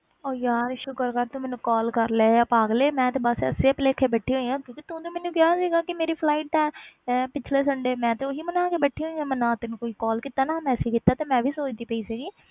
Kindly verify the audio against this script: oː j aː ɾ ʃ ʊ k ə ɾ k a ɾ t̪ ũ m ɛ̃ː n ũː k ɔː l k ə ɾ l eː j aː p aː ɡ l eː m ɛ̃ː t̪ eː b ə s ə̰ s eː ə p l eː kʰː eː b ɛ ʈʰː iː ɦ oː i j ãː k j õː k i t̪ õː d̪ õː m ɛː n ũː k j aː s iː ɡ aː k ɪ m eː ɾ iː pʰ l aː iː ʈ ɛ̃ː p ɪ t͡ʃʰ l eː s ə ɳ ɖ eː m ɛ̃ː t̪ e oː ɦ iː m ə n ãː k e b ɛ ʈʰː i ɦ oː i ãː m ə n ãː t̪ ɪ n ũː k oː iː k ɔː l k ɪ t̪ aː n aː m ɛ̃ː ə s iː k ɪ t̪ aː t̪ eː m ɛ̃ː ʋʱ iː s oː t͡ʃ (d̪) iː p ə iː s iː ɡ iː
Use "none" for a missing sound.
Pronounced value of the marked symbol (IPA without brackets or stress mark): d̪